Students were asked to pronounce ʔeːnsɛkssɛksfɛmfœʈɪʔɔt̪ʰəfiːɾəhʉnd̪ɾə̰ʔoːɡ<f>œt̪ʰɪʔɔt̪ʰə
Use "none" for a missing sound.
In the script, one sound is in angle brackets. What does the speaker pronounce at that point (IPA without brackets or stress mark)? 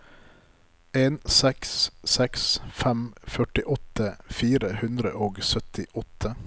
s